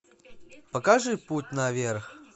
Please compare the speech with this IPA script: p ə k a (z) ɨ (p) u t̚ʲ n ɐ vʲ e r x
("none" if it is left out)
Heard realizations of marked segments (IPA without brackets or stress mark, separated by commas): ʐ, p